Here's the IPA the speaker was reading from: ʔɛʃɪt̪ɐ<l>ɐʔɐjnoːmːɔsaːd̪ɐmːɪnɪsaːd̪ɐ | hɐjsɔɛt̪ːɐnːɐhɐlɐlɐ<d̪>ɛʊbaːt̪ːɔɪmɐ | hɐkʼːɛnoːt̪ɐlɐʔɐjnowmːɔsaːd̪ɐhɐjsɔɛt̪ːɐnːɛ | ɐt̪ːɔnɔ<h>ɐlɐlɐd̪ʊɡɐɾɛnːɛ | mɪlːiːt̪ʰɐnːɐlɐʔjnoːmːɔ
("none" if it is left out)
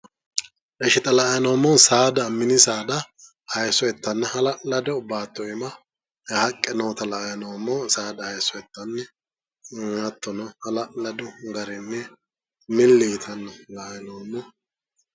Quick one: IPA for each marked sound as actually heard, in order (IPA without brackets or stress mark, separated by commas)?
l, d̪, h